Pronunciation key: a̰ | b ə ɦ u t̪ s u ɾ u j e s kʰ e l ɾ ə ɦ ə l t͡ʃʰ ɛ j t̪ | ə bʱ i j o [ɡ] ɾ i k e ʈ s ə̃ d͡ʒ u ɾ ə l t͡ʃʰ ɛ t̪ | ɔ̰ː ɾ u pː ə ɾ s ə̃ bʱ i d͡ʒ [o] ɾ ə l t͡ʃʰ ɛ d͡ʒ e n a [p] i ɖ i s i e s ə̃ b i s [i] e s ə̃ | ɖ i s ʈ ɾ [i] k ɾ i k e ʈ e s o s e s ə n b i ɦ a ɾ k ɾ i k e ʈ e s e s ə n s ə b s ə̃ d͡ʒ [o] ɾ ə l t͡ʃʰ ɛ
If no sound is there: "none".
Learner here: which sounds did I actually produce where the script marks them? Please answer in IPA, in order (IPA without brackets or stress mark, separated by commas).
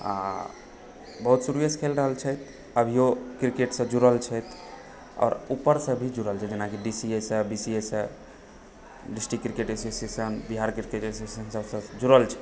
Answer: k, u, k, i, i, u